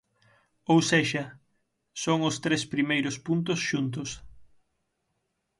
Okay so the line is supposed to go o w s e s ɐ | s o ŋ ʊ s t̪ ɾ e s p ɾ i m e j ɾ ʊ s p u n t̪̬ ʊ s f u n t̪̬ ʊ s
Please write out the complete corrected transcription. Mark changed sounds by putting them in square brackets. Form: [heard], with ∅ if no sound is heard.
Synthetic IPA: o w s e [ʃ] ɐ | s o ŋ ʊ s t̪ ɾ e s p ɾ i m e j ɾ ʊ s p u n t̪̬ ʊ s [ʃ] u n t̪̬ ʊ s